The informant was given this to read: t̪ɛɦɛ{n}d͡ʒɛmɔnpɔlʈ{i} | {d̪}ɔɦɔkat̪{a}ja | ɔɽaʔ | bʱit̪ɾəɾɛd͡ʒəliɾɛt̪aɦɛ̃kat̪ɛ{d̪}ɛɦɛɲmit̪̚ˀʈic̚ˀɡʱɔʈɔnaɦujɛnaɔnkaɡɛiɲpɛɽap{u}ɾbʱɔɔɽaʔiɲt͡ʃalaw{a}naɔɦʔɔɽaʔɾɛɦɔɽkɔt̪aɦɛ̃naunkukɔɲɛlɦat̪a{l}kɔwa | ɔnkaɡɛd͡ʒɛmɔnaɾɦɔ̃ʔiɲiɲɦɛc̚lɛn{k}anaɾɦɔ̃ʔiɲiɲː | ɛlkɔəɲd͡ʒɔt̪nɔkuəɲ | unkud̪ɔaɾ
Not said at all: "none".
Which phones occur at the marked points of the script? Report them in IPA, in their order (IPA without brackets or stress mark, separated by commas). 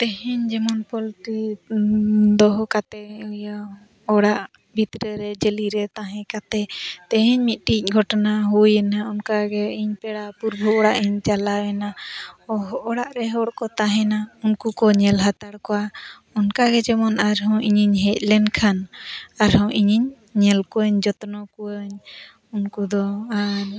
ɲ, i, d̪, ɛ, t̪, u, ɛ, ɽ, kʰ